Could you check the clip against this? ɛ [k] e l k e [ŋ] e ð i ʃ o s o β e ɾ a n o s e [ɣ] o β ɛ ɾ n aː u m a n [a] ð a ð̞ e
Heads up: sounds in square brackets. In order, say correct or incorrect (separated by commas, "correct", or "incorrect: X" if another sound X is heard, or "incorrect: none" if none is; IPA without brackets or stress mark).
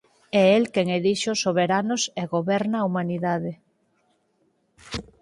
incorrect: none, correct, correct, incorrect: i